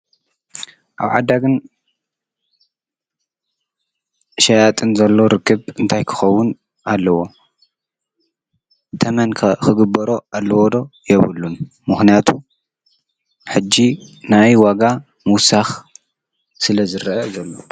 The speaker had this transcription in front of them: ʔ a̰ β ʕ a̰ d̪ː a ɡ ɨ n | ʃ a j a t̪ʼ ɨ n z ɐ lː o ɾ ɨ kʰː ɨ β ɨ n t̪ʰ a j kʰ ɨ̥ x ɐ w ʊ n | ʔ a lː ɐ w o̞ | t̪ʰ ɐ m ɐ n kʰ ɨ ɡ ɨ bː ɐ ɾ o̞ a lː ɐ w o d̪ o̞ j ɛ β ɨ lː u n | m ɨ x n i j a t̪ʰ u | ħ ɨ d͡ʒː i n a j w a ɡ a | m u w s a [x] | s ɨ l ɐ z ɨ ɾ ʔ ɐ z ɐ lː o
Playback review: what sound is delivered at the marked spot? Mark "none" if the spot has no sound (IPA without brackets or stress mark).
x